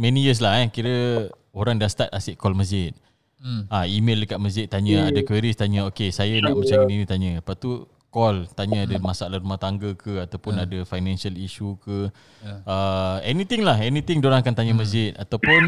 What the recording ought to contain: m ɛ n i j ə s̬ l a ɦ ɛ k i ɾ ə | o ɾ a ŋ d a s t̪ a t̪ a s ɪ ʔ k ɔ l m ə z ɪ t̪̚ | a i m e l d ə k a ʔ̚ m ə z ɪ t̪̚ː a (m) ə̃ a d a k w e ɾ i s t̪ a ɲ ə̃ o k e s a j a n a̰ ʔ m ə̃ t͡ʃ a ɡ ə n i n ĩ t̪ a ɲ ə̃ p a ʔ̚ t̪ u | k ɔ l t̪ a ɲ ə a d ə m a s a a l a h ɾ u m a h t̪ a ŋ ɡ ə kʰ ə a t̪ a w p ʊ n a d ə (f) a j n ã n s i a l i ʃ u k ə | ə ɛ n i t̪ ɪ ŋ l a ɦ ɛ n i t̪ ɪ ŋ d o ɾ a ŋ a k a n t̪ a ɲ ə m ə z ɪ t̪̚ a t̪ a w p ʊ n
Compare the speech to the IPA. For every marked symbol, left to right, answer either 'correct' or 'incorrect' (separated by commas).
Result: incorrect, correct